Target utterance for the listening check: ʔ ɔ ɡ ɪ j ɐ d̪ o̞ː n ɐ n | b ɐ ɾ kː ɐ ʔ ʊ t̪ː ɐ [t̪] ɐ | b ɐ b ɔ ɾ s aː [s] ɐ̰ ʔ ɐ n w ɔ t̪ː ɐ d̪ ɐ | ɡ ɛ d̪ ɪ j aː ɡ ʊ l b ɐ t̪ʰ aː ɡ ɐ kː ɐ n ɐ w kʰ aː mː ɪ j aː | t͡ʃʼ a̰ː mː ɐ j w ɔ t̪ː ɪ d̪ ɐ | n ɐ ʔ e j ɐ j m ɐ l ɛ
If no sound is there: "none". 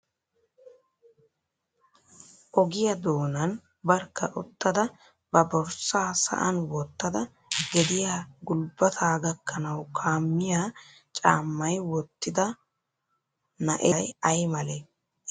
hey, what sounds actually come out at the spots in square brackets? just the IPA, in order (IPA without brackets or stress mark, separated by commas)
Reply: d̪, s